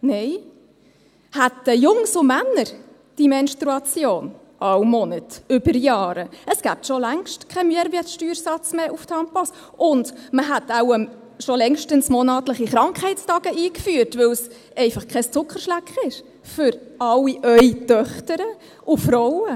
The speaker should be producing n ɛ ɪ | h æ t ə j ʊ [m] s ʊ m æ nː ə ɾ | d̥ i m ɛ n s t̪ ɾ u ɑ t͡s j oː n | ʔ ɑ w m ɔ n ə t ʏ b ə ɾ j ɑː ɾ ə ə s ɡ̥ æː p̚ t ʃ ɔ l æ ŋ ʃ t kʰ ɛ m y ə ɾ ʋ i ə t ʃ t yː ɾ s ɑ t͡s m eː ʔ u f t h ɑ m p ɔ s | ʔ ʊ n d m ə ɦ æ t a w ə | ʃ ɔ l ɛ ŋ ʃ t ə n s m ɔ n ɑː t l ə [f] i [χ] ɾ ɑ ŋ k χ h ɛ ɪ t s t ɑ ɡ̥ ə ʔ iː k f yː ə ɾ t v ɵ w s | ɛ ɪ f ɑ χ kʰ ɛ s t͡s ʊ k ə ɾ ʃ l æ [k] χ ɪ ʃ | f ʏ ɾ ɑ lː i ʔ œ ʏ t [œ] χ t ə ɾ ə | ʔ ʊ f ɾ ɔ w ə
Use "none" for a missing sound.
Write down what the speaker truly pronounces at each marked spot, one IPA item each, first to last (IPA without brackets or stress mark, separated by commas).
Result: ŋ, χ, χ, k, œ